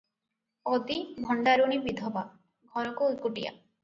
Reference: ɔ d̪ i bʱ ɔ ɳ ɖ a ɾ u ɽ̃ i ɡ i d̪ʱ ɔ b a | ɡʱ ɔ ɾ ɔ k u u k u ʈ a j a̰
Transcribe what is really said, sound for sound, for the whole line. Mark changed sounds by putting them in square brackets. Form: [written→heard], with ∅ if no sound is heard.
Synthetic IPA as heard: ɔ d̪ i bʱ ɔ ɳ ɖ a ɾ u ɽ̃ i [ɡ→b] i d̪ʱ ɔ b a | ɡʱ ɔ ɾ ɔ k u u k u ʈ [a→i] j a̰